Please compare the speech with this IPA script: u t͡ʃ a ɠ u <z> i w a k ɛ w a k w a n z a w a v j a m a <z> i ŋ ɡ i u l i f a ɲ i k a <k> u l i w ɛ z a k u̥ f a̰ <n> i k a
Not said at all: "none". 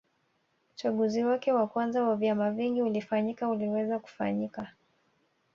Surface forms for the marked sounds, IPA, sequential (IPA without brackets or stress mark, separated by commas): z, v, none, ɲ